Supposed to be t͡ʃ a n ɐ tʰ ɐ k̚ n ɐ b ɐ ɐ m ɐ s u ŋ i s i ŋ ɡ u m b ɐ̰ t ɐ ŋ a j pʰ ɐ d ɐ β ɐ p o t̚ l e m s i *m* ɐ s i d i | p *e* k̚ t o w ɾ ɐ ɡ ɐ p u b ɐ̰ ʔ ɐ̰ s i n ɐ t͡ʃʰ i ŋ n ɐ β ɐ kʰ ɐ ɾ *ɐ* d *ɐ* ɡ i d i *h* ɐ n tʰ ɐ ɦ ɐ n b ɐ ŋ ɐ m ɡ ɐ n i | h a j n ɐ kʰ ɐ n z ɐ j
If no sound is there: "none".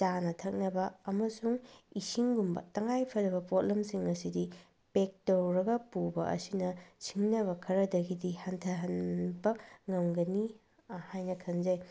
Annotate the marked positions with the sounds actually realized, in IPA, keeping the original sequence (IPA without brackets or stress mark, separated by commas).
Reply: ŋ, e, ɐ, ɐ, h